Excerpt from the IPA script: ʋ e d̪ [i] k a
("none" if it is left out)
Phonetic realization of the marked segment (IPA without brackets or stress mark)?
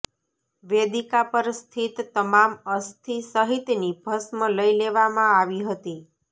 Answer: i